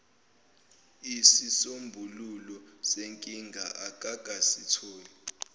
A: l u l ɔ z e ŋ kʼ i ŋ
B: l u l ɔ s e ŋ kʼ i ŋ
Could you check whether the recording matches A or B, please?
B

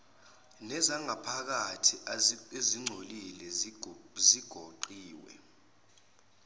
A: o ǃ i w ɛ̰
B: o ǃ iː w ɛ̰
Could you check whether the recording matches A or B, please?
B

